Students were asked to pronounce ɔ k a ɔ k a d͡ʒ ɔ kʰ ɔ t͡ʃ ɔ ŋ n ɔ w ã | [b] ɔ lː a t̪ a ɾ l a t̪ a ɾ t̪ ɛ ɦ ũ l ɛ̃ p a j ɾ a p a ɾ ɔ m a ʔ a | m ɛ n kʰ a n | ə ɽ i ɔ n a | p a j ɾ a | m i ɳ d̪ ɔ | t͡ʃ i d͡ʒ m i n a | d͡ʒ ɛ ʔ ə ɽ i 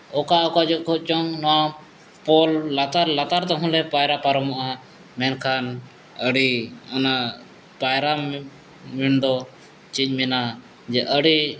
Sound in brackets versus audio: incorrect: p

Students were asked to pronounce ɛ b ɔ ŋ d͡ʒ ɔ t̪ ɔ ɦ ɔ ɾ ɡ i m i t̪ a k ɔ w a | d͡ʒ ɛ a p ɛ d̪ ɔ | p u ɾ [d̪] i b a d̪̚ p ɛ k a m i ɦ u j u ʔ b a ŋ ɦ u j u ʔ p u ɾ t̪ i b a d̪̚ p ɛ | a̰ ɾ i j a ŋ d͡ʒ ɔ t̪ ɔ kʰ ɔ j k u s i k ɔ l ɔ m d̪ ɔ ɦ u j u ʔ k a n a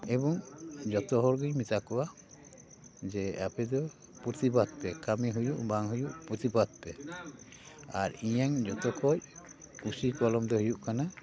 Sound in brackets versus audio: incorrect: t̪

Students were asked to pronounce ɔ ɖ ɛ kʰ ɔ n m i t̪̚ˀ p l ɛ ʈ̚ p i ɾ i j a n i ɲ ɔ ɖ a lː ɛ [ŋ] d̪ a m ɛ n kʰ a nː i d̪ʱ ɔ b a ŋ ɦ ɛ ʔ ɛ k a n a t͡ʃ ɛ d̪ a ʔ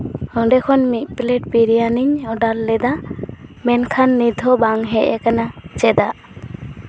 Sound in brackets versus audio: incorrect: none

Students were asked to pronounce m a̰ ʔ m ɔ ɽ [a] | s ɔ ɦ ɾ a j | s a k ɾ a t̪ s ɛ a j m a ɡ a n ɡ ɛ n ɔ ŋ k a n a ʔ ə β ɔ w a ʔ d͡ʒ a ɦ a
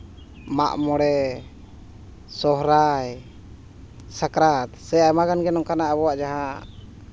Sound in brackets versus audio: incorrect: ɛ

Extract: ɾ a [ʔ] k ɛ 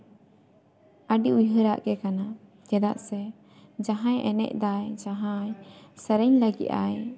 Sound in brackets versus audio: correct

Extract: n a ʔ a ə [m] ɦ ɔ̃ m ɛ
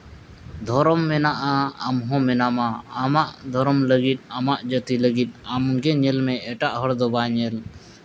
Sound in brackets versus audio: correct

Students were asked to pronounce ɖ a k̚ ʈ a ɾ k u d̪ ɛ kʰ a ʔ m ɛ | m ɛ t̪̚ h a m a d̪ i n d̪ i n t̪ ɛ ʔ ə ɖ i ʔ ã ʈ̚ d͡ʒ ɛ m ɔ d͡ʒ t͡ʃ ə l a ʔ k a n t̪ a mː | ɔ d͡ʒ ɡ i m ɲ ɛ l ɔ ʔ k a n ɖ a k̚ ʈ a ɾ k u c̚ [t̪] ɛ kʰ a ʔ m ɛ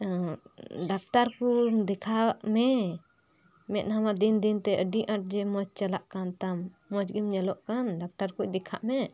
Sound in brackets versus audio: incorrect: d̪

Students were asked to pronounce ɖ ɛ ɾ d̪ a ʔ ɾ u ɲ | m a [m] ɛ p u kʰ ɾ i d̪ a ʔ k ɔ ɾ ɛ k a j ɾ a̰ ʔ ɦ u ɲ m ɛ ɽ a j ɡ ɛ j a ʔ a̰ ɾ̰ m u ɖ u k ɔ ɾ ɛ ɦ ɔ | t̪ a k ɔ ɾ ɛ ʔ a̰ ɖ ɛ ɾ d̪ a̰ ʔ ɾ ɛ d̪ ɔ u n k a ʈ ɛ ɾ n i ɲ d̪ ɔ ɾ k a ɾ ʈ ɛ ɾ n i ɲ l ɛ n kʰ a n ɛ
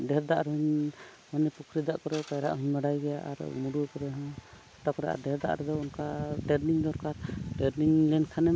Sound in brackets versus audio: incorrect: n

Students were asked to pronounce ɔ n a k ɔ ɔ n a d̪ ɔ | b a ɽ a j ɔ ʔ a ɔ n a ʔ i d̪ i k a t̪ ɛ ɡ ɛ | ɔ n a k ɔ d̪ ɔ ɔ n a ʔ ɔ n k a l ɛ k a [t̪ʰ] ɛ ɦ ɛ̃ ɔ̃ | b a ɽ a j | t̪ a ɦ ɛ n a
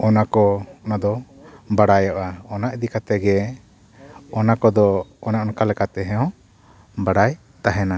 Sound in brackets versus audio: incorrect: t̪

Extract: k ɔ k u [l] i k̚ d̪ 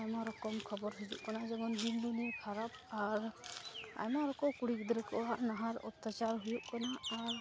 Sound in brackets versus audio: incorrect: ɽ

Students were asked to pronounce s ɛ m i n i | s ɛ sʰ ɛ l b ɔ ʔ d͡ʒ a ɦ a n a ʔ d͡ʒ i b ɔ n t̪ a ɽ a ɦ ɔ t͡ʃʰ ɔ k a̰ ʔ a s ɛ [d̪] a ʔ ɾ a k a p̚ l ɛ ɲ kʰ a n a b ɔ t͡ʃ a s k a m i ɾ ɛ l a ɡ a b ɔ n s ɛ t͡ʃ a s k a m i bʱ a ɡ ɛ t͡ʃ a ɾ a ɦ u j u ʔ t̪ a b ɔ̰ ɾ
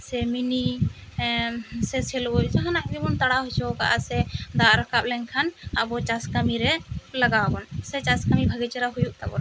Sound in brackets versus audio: correct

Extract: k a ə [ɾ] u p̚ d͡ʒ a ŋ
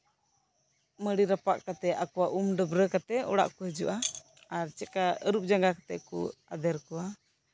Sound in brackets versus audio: correct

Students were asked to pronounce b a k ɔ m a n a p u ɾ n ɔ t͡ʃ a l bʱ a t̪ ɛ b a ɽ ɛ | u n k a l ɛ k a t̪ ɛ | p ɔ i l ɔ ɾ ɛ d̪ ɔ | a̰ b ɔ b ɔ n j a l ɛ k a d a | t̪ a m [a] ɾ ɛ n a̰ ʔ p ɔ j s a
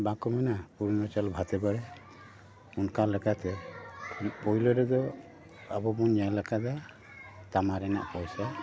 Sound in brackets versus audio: correct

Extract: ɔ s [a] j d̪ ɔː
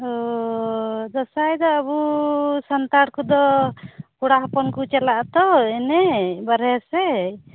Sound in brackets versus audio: correct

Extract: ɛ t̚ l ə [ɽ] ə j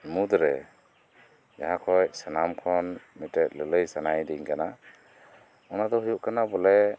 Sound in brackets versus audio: incorrect: l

